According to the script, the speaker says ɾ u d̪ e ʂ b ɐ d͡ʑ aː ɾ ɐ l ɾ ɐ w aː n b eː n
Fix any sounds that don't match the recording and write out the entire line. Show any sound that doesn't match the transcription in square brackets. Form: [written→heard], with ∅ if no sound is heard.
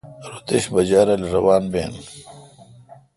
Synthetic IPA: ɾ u [d̪→t̪] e [ʂ→ɕ] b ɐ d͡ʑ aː ɾ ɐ l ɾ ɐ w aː n b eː n